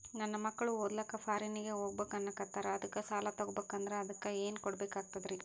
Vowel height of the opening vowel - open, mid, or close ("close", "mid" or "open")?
open